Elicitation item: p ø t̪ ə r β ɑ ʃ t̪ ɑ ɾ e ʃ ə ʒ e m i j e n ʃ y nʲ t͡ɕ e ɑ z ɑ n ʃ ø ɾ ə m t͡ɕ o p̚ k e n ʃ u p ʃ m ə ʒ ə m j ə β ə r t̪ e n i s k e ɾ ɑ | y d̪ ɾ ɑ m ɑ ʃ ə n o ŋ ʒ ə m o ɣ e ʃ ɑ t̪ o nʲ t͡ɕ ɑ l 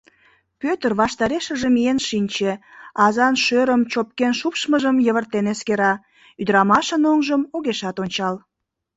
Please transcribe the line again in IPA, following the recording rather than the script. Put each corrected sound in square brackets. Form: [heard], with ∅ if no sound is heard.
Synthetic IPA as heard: p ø t̪ ə r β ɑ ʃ t̪ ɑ ɾ e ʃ ə ʒ e m i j e n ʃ [i] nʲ t͡ɕ e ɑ z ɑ n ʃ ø ɾ ə m t͡ɕ o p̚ k e n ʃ u p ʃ m ə ʒ ə m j ə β ə r t̪ e n [e] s k e ɾ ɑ | y d̪ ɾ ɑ m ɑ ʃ ə n o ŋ ʒ ə m o ɣ e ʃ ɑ t̪ o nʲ t͡ɕ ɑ l